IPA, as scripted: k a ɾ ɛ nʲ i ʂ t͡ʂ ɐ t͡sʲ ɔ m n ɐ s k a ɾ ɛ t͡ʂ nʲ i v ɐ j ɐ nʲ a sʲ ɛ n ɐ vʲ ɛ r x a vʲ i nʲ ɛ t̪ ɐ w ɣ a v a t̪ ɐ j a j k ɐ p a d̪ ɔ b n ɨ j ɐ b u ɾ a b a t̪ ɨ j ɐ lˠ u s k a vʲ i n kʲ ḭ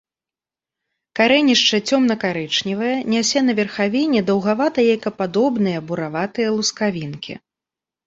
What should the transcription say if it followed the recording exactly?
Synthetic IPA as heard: k a ɾ ɛ nʲ i ʂ t͡ʂ ɐ t͡sʲ ɔ m n ɐ k a ɾ ɛ t͡ʂ nʲ i v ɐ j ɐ nʲ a sʲ ɛ n ɐ vʲ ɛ r x a vʲ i nʲ ɛ d̪ ɐ w ɣ a v a t̪ ɐ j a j k ɐ p a d̪ ɔ b n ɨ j ɐ b u ɾ a v a t̪ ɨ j ɐ lˠ u s k a vʲ i n kʲ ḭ